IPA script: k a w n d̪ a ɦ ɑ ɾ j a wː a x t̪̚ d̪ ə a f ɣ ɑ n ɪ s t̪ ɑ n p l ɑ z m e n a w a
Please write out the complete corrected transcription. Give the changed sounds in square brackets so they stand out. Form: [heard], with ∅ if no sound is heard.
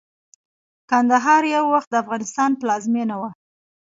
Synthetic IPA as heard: k a [∅] n d̪ a ɦ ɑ ɾ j a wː a x t̪̚ d̪ ə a f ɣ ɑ n ɪ s t̪ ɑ n p l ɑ z m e n a w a